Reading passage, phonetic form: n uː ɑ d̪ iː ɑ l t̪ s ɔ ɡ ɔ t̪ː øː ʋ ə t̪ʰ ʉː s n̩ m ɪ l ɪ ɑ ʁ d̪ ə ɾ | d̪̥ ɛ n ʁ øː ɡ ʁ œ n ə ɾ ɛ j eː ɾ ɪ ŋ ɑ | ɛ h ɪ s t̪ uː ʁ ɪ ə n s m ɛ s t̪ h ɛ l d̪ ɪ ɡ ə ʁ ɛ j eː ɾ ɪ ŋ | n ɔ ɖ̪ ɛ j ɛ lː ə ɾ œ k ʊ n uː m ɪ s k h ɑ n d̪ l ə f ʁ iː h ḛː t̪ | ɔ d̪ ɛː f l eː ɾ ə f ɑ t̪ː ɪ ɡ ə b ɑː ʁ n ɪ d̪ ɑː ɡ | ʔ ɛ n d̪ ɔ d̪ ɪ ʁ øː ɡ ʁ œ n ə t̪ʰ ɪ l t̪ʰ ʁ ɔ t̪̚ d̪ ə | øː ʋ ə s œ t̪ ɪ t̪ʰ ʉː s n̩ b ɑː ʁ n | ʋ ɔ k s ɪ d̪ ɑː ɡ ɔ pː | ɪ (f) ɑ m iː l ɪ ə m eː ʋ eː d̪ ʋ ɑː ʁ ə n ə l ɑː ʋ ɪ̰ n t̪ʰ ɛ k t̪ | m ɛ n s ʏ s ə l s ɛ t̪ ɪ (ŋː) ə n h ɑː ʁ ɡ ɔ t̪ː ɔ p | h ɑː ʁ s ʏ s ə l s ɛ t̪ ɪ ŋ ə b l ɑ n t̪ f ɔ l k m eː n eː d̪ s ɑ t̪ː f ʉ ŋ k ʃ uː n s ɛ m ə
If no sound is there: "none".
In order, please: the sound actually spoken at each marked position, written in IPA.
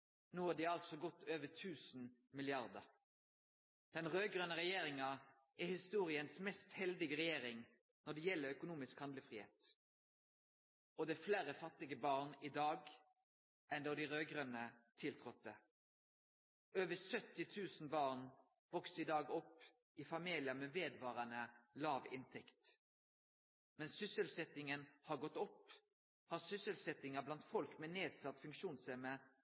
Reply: f, ŋ

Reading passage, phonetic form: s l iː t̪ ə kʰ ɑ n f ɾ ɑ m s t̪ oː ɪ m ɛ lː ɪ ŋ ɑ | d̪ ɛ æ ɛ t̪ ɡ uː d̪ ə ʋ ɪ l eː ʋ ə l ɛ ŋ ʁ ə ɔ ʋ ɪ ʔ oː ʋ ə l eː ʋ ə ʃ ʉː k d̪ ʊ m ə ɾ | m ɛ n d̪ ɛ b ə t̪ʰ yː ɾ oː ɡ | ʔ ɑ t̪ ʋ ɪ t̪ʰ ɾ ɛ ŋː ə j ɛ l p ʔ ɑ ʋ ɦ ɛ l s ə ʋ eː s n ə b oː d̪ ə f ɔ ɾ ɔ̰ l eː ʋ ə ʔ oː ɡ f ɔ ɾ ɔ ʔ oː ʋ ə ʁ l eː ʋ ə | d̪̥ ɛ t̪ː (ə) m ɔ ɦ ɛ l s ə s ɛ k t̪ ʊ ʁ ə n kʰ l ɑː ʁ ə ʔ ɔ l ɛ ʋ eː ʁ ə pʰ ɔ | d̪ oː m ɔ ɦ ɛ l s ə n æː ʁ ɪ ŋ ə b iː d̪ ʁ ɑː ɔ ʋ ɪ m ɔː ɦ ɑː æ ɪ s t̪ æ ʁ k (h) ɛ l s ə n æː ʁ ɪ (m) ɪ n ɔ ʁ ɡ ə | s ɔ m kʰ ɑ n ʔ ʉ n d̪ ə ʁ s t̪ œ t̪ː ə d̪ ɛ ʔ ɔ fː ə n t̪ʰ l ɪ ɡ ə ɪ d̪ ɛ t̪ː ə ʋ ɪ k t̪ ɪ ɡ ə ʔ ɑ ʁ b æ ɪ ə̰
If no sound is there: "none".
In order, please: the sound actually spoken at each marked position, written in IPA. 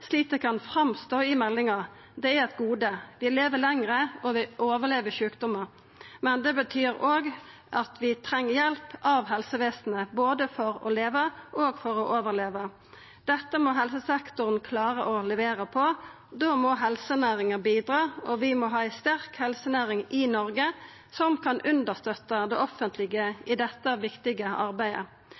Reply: ə, h, ŋ

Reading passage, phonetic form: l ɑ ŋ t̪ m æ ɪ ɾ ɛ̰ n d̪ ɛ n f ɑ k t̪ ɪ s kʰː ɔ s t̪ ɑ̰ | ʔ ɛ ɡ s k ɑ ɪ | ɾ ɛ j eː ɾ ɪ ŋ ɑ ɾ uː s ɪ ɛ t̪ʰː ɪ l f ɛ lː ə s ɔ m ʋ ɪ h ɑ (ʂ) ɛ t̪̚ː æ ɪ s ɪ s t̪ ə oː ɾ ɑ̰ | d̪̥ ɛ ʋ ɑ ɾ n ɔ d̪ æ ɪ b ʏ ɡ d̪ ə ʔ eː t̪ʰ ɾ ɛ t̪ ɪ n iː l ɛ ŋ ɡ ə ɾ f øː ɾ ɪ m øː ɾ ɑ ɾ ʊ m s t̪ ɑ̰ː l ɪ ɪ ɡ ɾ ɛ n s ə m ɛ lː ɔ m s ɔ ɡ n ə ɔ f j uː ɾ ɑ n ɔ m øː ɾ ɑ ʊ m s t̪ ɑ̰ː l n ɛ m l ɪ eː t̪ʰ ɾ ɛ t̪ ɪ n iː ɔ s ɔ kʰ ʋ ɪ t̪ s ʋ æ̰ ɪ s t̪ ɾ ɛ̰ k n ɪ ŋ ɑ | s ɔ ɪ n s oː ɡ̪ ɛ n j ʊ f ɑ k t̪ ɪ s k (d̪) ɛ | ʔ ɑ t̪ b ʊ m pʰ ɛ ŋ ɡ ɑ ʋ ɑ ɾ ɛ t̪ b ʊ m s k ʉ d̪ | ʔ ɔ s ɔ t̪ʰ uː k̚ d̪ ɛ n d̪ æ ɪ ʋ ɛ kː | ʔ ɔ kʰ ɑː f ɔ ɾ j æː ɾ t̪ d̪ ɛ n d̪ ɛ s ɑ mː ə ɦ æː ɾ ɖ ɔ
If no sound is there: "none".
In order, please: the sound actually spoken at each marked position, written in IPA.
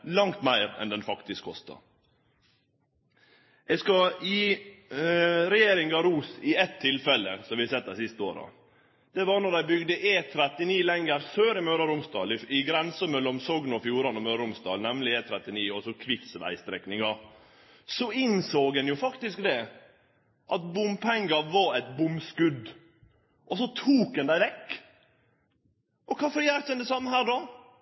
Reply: s, d̪

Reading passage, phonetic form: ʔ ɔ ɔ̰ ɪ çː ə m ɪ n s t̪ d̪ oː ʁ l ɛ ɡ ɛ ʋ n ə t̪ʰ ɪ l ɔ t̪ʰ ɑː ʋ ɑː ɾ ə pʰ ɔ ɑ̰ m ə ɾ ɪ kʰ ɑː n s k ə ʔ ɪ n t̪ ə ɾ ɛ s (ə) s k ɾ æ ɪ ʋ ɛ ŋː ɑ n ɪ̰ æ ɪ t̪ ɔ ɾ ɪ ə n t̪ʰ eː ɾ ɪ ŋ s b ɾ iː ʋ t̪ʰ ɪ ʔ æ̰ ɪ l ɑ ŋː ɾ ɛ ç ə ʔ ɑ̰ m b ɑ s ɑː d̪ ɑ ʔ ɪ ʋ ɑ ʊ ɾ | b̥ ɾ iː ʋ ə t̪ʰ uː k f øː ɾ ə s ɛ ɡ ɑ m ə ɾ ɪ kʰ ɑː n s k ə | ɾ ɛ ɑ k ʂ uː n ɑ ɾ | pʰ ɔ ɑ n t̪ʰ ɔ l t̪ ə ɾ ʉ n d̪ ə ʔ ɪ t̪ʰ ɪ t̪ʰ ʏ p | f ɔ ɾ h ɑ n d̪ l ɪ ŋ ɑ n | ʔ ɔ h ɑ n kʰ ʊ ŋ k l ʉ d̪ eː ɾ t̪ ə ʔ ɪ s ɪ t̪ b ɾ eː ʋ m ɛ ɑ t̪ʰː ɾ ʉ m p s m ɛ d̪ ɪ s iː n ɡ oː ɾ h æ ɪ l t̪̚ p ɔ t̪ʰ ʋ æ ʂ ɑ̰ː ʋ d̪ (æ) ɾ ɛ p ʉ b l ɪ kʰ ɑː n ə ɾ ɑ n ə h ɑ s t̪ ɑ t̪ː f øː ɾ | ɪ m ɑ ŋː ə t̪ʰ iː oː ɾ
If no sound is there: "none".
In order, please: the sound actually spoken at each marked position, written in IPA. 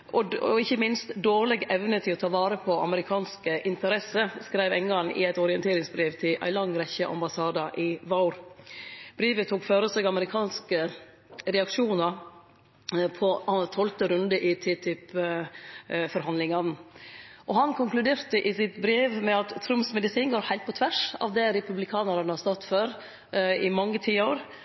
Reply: ə, ɛ

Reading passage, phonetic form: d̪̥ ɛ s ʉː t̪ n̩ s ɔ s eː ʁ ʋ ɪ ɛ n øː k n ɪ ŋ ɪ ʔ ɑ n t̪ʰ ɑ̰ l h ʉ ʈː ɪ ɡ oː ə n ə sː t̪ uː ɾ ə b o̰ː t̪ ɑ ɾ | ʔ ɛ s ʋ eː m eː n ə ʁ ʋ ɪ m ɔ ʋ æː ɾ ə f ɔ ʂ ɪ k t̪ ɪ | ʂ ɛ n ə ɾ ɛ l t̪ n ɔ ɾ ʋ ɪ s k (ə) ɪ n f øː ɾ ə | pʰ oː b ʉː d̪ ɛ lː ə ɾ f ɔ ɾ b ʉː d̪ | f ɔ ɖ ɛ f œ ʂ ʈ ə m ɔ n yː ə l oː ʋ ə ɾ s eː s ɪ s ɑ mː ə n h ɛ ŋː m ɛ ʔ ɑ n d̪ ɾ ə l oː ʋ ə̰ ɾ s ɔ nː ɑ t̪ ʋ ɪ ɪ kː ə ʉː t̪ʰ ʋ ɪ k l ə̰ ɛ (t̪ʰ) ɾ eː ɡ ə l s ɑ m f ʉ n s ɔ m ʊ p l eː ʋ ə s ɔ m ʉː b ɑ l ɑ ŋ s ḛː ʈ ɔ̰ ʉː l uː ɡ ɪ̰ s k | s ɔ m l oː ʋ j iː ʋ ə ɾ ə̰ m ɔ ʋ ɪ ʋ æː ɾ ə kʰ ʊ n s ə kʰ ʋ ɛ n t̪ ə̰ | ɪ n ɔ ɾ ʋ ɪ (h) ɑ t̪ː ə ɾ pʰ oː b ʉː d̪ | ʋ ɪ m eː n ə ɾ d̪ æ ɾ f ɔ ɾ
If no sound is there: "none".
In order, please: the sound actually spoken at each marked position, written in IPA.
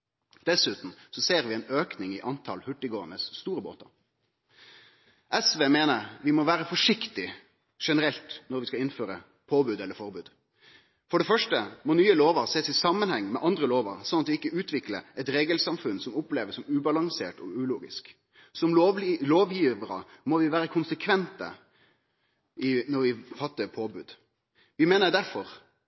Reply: ɑ, t̪, f

